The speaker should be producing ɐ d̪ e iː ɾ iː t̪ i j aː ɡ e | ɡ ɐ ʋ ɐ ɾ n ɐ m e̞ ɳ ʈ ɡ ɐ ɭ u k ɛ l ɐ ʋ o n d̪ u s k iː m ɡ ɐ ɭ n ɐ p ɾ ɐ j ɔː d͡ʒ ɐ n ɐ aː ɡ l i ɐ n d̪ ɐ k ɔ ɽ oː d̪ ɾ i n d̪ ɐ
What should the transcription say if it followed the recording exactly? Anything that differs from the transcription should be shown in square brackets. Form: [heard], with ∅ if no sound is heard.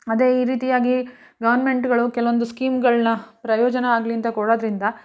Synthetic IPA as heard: ɐ d̪ e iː ɾ iː t̪ i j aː ɡ [i] | ɡ ɐ ʋ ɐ ɾ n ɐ m e̞ ɳ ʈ ɡ ɐ ɭ u k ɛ l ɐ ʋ o n d̪ u s k iː m ɡ ɐ ɭ n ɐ p ɾ ɐ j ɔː d͡ʒ ɐ n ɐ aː ɡ l i ɐ n [t̪] ɐ k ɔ ɽ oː d̪ ɾ i n d̪ ɐ